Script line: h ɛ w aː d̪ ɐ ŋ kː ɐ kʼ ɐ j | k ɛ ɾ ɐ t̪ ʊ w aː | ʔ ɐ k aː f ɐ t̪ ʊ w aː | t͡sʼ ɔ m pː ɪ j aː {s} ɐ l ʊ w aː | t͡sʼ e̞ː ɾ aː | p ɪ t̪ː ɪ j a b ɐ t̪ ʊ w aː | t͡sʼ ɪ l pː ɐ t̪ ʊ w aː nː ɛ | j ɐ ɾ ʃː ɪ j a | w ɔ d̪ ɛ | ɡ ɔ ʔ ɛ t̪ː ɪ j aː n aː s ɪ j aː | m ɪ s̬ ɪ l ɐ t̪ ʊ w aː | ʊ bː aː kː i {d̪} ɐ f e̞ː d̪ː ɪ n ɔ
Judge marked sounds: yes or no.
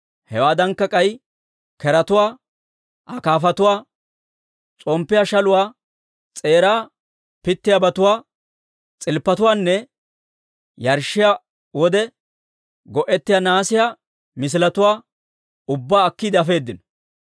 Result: no, yes

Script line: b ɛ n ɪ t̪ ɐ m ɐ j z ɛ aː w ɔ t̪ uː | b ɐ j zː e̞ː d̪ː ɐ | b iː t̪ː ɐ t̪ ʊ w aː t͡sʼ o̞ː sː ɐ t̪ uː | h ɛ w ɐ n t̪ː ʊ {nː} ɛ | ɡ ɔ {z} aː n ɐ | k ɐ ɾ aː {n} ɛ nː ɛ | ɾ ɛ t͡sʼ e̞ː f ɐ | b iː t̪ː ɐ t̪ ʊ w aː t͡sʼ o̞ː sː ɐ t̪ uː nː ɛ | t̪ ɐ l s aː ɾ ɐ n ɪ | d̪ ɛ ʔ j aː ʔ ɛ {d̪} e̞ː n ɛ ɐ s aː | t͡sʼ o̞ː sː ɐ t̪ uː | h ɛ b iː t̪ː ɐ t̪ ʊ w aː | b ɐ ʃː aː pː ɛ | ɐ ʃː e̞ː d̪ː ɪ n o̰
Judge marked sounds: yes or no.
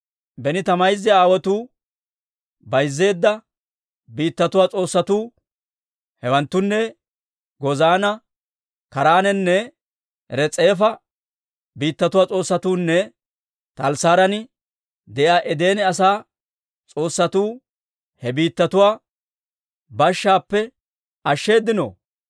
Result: yes, yes, yes, yes

